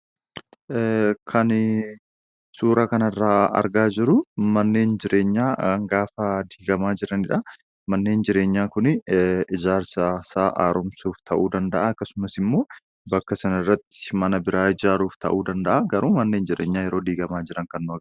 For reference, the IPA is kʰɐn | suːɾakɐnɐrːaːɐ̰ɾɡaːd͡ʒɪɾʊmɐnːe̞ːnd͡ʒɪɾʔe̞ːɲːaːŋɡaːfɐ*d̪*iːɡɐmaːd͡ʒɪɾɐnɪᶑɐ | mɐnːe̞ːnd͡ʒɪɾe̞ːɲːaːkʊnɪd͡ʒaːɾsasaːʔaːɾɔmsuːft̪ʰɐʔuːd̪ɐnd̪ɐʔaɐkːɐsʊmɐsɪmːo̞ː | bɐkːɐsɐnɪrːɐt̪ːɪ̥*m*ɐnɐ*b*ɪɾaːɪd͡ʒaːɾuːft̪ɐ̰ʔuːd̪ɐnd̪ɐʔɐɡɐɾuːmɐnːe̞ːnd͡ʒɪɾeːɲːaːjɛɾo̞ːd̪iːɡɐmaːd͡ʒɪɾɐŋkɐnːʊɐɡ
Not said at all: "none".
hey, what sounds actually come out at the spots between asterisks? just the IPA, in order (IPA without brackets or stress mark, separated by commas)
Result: d̪, m, b